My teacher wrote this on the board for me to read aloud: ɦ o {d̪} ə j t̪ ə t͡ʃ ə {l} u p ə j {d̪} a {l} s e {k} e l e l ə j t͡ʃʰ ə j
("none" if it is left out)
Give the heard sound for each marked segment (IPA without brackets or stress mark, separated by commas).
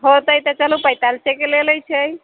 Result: t̪, l, t̪, l, k